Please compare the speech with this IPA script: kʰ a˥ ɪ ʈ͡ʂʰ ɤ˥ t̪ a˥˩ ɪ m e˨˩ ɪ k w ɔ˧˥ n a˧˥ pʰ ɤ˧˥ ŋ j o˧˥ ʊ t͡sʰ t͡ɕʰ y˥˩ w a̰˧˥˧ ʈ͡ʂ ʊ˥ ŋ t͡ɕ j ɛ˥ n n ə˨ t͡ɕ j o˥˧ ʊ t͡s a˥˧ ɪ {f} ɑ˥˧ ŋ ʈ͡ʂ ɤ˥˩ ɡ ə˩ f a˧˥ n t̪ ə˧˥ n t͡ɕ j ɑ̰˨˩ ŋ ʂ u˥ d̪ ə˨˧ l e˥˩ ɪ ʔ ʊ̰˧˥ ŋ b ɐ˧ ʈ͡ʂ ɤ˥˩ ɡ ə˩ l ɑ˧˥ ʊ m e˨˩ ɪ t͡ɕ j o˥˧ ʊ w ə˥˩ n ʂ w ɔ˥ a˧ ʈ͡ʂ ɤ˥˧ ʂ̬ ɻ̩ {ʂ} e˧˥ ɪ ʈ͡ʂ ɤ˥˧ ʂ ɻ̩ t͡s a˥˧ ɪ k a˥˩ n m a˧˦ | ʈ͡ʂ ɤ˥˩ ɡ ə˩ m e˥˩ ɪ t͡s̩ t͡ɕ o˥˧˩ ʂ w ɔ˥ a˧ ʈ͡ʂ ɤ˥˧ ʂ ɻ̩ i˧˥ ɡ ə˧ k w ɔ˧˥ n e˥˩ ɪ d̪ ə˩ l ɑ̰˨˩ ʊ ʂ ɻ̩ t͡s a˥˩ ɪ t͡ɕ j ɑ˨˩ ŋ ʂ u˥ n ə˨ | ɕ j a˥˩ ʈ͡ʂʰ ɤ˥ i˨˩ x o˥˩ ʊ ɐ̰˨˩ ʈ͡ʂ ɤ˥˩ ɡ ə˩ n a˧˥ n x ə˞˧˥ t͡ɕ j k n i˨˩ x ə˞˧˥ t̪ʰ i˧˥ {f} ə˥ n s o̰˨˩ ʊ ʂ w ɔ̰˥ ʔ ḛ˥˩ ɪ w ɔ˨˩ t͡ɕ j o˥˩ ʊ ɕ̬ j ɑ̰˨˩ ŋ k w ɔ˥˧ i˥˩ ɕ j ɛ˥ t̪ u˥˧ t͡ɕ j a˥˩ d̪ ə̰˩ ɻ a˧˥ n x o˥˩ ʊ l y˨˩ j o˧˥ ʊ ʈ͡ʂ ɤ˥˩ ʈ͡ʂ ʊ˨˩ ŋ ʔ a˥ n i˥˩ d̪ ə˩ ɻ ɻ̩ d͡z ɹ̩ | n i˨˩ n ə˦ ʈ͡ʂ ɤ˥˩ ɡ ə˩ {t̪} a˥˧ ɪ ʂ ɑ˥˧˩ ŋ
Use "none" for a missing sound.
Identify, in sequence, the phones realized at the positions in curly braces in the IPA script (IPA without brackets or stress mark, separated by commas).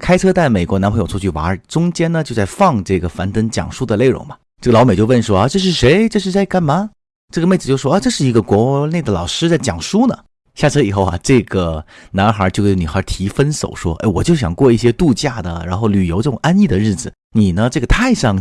f, ʂ, f, t̪ʰ